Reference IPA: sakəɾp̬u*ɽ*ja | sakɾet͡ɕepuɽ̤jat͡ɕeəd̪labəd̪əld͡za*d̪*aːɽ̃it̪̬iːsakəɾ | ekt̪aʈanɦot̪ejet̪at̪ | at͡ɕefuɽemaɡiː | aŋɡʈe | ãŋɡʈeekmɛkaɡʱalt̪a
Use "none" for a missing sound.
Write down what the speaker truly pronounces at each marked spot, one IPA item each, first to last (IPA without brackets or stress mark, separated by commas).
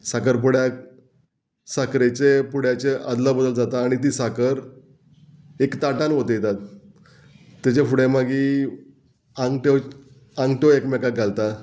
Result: ɽ, t̪